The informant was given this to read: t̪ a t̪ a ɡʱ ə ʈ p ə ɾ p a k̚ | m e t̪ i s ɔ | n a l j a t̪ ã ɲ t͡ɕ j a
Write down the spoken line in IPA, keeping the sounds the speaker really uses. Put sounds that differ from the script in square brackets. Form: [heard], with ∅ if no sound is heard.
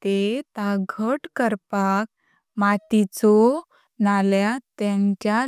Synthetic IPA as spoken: t̪ [e] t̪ a ɡʱ ə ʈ [k] ə ɾ p a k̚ | m [a] t̪ i [t͡s] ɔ | n a l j a t̪ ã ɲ t͡ɕ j a